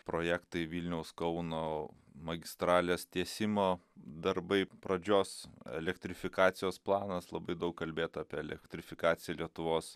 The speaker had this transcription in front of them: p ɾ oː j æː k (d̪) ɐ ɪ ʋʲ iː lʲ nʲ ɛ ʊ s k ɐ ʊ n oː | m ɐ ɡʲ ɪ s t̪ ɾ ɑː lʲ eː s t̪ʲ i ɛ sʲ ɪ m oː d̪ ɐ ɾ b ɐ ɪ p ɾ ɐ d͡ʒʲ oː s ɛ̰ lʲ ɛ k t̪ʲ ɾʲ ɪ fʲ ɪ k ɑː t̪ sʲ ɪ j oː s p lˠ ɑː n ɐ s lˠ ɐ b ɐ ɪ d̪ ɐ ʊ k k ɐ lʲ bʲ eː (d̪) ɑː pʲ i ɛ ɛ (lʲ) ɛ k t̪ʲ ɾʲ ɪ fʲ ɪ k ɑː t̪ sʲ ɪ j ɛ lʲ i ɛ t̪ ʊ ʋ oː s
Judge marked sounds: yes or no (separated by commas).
no, no, yes